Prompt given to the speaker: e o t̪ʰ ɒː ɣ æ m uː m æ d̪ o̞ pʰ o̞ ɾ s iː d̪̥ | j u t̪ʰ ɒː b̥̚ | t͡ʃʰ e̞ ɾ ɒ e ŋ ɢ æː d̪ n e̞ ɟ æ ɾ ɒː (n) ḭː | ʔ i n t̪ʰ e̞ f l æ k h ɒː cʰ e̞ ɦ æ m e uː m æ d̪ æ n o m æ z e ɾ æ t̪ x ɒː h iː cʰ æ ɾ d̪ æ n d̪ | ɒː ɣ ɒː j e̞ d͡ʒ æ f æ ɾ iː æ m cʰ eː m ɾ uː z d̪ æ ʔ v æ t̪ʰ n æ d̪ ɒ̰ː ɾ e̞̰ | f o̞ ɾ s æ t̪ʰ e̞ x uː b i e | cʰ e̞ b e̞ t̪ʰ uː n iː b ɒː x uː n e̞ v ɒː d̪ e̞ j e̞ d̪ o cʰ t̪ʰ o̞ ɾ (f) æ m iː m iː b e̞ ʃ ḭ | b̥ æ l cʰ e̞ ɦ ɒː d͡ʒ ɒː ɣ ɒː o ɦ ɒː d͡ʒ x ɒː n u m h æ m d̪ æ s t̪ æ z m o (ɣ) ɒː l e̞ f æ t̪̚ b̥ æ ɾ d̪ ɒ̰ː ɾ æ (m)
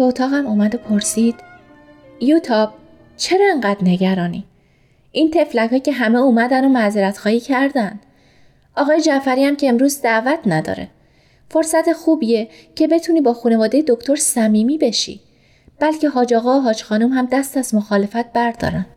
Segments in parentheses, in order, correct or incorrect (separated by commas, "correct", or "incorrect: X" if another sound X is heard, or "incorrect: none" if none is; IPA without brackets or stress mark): correct, incorrect: s, incorrect: x, incorrect: n